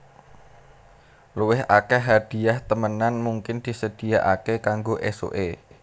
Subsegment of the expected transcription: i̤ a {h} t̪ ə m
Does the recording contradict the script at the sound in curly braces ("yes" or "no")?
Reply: no